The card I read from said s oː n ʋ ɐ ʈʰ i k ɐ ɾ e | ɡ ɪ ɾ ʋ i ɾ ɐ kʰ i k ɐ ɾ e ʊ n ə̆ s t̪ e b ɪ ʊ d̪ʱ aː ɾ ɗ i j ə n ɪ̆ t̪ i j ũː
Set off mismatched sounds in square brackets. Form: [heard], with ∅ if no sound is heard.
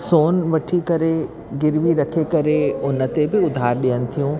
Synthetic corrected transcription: s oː n ʋ ɐ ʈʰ i k ɐ ɾ e | ɡ ɪ ɾ ʋ i ɾ ɐ kʰ [e] k ɐ ɾ e ʊ n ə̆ [∅] t̪ e b ɪ ʊ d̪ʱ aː ɾ ɗ i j ə n ɪ̆ [t̪ʰ] i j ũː